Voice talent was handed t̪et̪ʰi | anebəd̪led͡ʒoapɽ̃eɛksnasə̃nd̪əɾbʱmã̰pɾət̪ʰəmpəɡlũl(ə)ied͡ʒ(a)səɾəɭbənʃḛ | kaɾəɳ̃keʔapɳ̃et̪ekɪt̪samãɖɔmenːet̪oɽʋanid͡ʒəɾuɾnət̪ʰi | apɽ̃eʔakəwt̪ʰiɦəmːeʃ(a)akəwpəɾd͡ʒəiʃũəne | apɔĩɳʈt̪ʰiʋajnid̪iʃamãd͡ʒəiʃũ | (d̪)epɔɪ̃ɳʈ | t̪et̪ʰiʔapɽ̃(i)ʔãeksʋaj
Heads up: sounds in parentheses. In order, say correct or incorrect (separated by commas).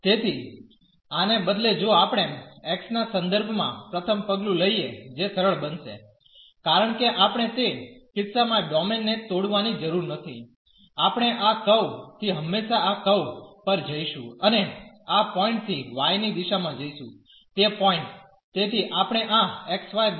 correct, incorrect, correct, incorrect, incorrect